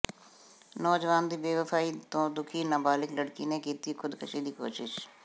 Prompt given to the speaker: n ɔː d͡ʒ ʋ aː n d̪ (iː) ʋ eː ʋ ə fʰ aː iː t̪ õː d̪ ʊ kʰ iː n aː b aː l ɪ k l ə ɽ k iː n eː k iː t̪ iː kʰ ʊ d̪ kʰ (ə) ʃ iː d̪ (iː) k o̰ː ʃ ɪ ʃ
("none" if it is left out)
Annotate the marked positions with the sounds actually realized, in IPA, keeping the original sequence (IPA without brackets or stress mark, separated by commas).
iː, ə, iː